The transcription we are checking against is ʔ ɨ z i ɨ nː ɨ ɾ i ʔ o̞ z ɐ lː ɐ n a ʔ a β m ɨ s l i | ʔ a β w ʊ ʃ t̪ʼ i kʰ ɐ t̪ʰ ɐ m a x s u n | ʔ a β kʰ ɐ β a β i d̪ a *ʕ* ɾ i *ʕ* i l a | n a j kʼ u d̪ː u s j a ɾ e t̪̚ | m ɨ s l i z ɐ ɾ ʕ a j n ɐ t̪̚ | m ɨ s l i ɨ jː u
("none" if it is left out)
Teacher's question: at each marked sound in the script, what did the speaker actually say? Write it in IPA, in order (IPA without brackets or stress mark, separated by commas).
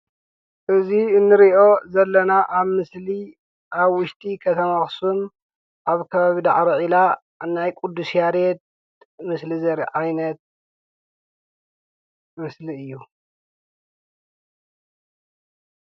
ʕ, ʕ